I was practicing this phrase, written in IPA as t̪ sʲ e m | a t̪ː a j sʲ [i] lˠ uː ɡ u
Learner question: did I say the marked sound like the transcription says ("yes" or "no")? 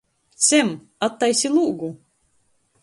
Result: yes